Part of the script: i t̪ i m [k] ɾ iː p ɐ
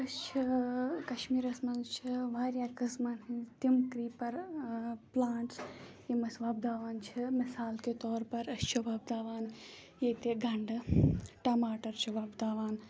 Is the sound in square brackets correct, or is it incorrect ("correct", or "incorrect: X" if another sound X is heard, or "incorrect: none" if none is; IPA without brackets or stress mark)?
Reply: correct